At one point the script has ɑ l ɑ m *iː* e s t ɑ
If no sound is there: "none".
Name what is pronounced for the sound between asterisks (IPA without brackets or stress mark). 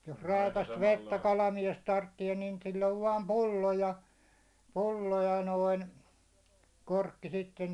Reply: i